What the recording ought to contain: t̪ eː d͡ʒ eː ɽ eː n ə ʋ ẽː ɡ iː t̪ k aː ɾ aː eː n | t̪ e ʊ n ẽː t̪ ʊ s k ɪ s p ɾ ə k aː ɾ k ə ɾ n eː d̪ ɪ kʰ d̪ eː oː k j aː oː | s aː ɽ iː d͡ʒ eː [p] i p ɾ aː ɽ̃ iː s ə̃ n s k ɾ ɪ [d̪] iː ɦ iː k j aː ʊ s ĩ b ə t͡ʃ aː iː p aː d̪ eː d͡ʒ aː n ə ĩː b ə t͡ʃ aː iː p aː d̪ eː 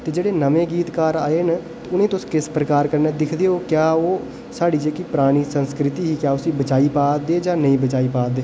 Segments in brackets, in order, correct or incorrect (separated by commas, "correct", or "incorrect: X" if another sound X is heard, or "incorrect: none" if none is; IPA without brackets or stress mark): incorrect: k, incorrect: t̪